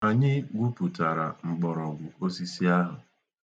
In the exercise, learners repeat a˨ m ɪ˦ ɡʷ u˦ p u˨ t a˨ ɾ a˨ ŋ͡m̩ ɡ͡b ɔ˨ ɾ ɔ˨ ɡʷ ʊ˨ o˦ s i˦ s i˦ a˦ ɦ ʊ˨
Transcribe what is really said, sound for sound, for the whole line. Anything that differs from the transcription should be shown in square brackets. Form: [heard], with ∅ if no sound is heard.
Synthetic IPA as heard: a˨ [ɲ] ɪ˦ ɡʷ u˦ p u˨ t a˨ ɾ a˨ ŋ͡m̩ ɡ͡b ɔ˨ ɾ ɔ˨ ɡʷ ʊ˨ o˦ s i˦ s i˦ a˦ ɦ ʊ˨